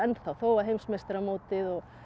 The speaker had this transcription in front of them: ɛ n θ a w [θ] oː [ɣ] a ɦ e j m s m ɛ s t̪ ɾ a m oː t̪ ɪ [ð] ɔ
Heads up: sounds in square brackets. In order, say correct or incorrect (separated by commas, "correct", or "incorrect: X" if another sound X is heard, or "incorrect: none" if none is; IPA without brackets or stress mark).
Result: correct, incorrect: w, correct